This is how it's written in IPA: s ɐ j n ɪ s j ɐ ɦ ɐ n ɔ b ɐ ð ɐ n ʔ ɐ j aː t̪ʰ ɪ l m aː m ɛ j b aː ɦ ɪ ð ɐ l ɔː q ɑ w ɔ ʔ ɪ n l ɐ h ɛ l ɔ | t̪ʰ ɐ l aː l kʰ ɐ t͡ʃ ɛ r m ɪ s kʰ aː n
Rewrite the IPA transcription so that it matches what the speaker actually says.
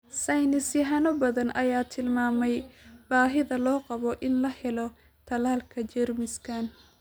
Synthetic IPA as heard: s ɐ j n ɪ s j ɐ ɦ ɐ n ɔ b ɐ ð ɐ n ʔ ɐ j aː t̪ʰ ɪ l m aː m ɛ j b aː ɦ ɪ ð ɐ l ɔː q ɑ β ɔ ʔ ɪ n l ɐ h ɛ l ɔ | t̪ʰ ɐ l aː l kʰ ɐ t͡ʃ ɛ r m ɪ s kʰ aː n